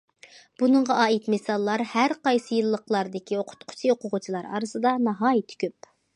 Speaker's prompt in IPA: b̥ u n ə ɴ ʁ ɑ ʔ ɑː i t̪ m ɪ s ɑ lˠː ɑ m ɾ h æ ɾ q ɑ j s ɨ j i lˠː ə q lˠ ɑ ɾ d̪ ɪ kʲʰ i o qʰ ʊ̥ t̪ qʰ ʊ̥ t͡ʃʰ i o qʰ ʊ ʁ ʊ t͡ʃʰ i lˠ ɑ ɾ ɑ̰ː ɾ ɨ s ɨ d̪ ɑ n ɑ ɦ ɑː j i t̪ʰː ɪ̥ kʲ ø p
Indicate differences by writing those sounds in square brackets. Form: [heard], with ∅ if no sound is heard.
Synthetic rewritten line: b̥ u n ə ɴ ʁ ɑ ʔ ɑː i t̪ m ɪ s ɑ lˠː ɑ [∅] ɾ h æ ɾ q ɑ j s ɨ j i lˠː ə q lˠ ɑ ɾ d̪ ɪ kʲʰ i o qʰ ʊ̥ t̪ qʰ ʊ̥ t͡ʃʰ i o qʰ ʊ ʁ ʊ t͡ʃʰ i lˠ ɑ ɾ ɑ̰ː ɾ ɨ s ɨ d̪ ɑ n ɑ ɦ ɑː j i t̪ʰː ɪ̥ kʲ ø p

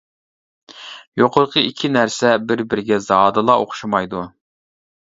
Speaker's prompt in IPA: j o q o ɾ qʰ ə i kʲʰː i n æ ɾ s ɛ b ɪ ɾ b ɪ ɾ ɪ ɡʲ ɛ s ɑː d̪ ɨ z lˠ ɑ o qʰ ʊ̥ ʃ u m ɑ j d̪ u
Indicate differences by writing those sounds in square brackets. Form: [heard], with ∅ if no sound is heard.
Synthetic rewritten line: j o q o ɾ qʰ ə i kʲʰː i n æ ɾ s ɛ b ɪ ɾ b ɪ ɾ ɪ ɡʲ ɛ [z] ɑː d̪ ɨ [∅] lˠ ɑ o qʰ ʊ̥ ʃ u m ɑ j d̪ u

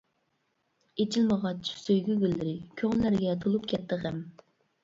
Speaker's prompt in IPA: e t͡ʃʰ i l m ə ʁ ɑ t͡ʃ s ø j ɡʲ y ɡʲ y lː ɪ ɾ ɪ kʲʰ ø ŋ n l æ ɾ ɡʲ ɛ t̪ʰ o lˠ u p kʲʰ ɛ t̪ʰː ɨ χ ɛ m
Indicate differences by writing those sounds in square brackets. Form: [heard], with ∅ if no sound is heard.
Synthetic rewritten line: e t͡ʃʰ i l m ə ʁ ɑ t͡ʃ s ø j ɡʲ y ɡʲ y lː ɪ ɾ ɪ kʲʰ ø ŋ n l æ ɾ ɡʲ ɛ t̪ʰ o lˠ u p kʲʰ ɛ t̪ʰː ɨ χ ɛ m

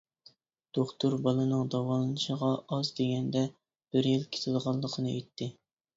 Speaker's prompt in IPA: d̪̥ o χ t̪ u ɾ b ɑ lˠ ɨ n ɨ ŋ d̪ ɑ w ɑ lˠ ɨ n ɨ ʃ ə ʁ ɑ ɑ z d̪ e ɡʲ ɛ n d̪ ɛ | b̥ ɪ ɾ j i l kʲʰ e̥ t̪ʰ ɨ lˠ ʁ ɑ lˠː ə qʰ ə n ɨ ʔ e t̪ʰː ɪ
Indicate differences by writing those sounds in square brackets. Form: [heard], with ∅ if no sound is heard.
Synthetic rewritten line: d̪̥ o χ t̪ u ɾ b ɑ lˠ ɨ n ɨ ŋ d̪ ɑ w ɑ lˠ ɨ n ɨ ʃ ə ʁ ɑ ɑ z d̪ e ɡʲ ɛ n d̪ ɛ | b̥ ɪ ɾ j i l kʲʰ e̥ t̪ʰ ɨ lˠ ʁ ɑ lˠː ə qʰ ə n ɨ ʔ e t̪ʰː ɪ

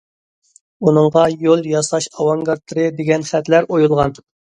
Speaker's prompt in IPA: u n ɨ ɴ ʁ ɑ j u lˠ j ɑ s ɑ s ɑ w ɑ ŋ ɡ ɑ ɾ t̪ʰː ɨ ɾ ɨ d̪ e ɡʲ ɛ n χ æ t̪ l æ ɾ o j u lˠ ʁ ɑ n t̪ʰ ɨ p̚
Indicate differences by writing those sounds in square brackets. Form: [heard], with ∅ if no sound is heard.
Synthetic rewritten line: u n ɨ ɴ ʁ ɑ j [o] lˠ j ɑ s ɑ [ʃ] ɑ w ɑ ŋ ɡ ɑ ɾ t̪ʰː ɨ ɾ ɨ d̪ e ɡʲ ɛ n χ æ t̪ l æ ɾ o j u lˠ ʁ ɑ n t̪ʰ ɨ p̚

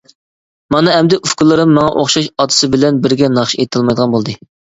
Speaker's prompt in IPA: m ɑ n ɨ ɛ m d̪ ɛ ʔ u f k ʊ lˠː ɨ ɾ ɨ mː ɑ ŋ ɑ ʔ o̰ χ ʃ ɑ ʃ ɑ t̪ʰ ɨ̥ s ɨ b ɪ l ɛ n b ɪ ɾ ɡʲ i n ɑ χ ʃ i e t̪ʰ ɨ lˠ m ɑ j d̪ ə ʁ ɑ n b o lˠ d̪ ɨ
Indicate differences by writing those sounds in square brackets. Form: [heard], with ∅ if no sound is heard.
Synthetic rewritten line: m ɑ n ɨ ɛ m d̪ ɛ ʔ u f k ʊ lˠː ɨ ɾ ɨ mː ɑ ŋ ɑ ʔ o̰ χ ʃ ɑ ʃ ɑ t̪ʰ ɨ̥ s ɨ b ɪ l ɛ n b ɪ ɾ ɡʲ [ɛ] n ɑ χ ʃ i e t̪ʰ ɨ lˠ m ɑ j d̪ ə ʁ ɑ n b o lˠ d̪ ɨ

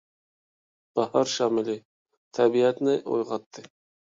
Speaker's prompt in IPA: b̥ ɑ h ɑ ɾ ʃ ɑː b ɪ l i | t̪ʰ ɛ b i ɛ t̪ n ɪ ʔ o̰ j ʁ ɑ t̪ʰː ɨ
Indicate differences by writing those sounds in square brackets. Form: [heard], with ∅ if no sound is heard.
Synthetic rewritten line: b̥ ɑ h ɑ ɾ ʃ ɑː [m] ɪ l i | t̪ʰ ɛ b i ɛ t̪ n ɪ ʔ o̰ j ʁ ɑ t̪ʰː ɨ

